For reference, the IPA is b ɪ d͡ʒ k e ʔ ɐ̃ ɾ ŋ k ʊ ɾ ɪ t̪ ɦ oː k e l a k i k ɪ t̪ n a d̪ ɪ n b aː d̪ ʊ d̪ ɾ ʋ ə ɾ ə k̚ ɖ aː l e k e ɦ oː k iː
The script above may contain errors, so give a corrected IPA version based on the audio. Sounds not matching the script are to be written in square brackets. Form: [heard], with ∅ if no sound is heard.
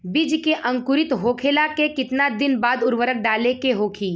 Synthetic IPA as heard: b ɪ d͡ʒ k e ʔ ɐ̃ [∅] ŋ k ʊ ɾ ɪ t̪ ɦ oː [kʰ] e l a k [e] k ɪ t̪ n a d̪ ɪ n b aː d̪ ʊ [∅] ɾ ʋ ə ɾ ə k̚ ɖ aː l e k e ɦ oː [kʰ] iː